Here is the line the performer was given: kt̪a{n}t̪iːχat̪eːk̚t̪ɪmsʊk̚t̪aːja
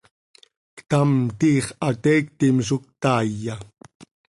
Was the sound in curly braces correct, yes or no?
no